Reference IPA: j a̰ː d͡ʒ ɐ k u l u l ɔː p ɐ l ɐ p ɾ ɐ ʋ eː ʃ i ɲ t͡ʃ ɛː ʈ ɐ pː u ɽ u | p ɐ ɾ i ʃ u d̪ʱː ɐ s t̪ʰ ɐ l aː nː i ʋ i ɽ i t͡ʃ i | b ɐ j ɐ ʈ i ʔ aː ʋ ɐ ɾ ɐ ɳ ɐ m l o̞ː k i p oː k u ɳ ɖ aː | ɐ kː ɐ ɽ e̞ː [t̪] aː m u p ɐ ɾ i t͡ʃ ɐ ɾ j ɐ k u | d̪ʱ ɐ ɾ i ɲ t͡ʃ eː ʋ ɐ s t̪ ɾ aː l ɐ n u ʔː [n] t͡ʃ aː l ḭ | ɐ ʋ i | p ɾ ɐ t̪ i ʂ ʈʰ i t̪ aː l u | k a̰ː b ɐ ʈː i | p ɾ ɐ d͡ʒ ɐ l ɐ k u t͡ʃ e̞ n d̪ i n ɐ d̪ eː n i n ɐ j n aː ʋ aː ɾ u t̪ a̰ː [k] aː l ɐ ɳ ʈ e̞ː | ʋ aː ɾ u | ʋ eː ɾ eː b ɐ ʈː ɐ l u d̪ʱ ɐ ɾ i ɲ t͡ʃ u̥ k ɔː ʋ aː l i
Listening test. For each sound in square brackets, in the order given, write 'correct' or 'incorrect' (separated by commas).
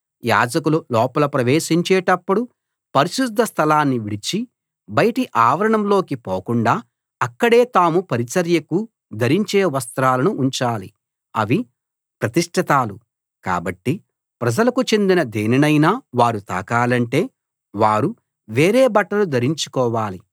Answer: correct, incorrect, correct